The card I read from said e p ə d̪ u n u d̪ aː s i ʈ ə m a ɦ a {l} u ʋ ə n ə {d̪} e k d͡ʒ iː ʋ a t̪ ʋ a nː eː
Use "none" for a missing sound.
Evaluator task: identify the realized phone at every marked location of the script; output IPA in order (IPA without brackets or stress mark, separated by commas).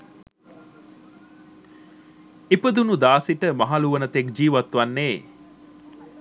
l, t̪